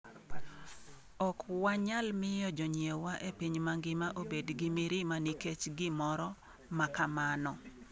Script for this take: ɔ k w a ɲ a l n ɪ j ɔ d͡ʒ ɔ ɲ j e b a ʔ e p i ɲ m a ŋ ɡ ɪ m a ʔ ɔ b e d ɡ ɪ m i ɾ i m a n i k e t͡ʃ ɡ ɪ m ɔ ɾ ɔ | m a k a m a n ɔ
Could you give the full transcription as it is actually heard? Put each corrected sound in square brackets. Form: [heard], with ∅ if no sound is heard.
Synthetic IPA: ɔ k w a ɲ a l [m] ɪ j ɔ d͡ʒ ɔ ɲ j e [w] a ʔ e p i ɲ m a ŋ ɡ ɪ m a ʔ [o] b e d ɡ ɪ m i ɾ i m a n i k e t͡ʃ ɡ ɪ m ɔ ɾ ɔ | m a k a m a n ɔ